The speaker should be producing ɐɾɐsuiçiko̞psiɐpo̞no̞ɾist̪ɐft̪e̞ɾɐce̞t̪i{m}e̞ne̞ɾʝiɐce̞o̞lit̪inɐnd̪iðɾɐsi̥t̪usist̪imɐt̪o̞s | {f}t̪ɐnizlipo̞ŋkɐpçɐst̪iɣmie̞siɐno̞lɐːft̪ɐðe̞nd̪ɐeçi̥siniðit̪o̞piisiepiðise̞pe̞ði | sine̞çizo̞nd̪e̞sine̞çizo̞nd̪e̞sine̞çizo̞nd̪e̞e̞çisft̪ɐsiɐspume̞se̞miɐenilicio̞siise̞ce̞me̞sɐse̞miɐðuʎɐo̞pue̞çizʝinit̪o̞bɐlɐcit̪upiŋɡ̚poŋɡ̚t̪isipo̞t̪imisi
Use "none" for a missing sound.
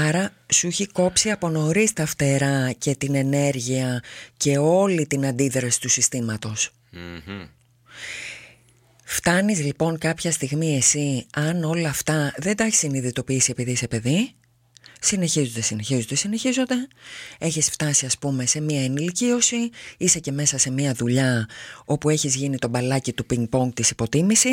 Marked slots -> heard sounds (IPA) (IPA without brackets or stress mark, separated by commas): n, f